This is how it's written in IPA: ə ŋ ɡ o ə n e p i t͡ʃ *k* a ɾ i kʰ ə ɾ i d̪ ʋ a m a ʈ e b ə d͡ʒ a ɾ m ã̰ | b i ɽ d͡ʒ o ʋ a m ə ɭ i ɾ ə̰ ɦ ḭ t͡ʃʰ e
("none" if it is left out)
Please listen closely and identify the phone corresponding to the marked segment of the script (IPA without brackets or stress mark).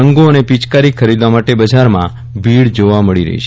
k